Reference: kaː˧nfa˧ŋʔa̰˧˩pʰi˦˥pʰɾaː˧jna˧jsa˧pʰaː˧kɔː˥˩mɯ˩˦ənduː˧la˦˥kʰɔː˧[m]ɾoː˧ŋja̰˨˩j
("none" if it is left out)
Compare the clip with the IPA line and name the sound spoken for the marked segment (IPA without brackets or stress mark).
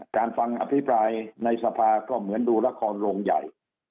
n